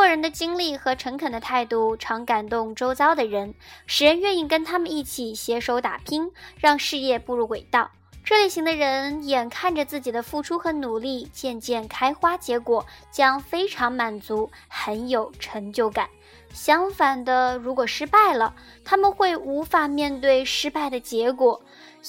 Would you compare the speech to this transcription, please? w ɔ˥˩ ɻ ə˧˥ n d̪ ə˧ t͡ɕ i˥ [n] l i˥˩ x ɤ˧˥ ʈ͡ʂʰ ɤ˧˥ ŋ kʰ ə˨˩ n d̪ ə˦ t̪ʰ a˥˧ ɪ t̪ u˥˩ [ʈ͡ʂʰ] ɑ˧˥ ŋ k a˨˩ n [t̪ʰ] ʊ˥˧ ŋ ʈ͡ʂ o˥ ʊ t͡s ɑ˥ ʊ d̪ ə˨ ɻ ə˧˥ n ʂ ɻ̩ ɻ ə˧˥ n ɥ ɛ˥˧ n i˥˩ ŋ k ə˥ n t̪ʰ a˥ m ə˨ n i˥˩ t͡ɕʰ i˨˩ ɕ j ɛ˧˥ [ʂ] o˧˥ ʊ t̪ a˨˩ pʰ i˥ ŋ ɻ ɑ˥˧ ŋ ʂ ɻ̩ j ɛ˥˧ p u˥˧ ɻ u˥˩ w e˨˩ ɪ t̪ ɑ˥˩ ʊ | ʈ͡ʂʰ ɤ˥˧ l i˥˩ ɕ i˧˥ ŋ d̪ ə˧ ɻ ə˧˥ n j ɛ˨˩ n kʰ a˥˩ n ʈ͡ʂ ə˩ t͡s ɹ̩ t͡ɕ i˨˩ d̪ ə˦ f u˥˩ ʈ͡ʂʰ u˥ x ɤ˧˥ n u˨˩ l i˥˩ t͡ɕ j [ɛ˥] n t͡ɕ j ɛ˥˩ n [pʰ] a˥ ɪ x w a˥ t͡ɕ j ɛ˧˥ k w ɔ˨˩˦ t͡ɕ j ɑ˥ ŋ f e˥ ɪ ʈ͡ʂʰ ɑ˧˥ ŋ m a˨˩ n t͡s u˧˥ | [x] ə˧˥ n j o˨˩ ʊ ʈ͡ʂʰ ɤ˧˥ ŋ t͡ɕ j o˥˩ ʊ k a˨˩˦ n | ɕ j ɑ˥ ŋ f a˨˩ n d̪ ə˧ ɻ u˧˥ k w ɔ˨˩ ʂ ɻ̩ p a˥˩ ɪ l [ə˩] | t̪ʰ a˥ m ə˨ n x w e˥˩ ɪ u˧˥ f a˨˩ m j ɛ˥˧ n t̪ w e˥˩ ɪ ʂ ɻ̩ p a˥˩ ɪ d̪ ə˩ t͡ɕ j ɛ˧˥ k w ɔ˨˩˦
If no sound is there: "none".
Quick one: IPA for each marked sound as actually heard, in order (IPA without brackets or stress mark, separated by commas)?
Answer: ŋ, ʈ͡ʂʰ, t̪, ʂ, ɛ˥˧, kʰ, x, ə˩